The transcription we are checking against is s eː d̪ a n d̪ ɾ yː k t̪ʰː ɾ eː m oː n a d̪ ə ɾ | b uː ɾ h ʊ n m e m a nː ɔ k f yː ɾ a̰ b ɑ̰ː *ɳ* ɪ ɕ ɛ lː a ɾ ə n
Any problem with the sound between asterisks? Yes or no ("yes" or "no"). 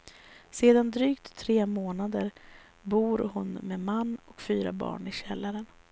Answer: no